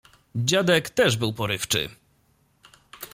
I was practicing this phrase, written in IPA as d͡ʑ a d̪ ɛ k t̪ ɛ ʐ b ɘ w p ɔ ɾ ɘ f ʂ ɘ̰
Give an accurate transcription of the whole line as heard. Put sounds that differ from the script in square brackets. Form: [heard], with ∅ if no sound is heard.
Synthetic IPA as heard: d͡ʑ a d̪ ɛ k t̪ ɛ ʐ b ɘ w p ɔ ɾ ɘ f [t͡ʂ] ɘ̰